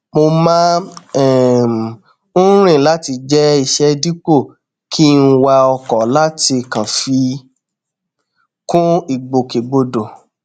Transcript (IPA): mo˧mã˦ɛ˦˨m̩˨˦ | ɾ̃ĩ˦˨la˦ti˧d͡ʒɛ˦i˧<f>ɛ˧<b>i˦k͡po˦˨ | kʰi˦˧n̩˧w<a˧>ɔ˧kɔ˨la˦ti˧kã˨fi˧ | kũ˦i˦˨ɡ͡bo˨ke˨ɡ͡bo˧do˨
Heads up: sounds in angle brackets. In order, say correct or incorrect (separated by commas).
incorrect, incorrect, correct